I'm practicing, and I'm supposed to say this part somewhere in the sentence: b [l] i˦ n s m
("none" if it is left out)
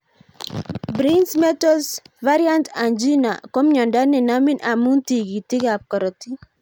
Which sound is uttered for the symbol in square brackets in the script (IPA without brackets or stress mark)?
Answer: ɾ